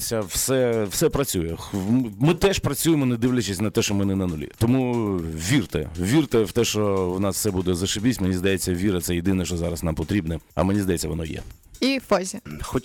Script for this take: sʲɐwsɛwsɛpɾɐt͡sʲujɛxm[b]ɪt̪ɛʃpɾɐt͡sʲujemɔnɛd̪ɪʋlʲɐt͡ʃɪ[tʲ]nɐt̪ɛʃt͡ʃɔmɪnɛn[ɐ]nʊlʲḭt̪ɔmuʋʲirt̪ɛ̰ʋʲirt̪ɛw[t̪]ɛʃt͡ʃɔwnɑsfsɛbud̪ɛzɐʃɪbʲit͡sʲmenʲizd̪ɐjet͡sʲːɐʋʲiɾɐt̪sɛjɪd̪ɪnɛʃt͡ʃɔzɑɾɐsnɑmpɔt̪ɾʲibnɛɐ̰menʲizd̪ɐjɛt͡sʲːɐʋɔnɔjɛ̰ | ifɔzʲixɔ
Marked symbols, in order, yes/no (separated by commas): no, no, yes, yes